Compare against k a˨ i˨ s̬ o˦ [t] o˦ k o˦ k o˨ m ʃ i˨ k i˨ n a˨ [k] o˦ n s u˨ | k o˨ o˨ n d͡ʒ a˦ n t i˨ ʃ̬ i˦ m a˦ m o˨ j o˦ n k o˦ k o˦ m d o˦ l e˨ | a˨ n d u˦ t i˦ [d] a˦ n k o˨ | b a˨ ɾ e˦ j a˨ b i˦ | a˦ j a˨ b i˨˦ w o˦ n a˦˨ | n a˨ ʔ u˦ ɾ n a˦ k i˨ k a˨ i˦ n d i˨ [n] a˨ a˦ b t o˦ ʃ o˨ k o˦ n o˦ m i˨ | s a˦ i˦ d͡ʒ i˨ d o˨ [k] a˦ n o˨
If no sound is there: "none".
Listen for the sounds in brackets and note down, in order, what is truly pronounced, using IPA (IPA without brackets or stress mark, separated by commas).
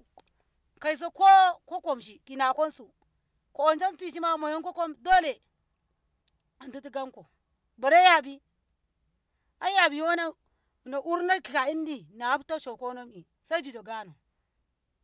k, k, ɡ, n, ɡ